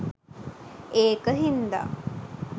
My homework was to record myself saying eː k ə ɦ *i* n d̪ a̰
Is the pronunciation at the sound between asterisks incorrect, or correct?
correct